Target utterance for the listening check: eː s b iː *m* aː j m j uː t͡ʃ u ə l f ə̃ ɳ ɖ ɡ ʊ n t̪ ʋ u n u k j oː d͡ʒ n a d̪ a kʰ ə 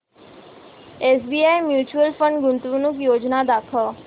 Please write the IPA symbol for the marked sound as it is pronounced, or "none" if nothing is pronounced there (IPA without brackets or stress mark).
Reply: none